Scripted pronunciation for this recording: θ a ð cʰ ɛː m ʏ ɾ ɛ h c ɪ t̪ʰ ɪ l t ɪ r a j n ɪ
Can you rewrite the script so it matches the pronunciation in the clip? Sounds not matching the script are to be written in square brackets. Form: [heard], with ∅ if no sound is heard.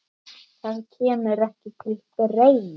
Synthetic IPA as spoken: θ a ð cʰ ɛː m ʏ ɾ ɛ h c ɪ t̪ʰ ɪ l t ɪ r [e] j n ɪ